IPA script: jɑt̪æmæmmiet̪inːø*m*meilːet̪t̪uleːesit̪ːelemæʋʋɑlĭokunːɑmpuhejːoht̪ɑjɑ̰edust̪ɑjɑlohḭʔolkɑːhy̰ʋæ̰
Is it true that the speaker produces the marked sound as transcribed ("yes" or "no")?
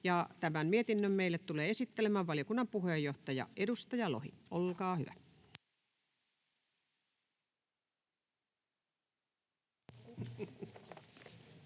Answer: yes